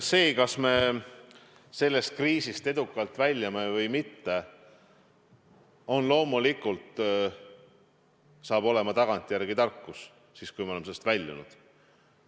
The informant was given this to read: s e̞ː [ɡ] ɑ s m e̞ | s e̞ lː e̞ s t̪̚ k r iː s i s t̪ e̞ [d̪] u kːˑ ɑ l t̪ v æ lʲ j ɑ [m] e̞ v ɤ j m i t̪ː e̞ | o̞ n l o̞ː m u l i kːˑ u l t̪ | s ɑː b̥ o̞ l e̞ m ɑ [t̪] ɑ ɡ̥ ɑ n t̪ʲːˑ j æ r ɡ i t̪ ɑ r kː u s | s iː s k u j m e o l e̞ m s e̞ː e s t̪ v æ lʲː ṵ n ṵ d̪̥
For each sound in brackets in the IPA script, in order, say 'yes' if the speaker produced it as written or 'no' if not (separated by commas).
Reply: no, yes, yes, yes